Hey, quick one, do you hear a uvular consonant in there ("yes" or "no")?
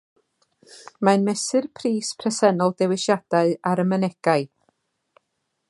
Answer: no